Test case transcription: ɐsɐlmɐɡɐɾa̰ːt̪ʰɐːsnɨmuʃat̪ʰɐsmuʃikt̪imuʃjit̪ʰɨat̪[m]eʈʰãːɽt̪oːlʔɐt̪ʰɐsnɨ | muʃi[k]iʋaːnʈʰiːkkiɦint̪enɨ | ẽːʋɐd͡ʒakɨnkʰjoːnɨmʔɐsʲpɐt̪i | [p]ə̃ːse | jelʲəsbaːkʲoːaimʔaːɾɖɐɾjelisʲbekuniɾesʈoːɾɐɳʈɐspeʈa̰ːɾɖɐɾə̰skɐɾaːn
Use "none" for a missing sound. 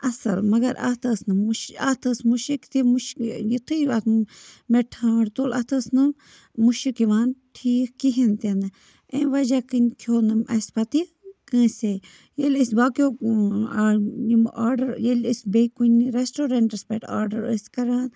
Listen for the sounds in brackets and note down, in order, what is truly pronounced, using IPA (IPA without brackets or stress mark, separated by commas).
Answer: m, k, k